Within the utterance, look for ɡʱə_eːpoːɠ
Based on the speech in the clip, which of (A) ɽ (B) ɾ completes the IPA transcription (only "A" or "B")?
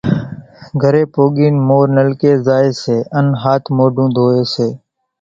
B